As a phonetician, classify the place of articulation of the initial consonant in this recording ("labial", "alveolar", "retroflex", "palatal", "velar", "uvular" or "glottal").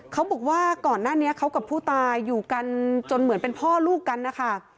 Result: velar